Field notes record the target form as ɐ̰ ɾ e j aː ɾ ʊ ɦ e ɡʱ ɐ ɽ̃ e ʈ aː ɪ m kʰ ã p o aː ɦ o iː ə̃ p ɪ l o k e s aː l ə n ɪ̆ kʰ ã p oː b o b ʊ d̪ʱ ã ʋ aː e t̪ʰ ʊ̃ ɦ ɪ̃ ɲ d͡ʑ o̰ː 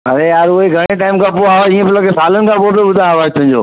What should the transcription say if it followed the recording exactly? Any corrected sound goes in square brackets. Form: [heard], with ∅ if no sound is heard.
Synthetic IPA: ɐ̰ ɾ e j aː ɾ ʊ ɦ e ɡʱ ɐ ɽ̃ e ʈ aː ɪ m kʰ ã p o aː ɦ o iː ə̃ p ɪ l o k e s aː l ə n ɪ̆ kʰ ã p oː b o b ʊ d̪ʱ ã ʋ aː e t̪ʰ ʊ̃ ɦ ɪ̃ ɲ d͡ʑ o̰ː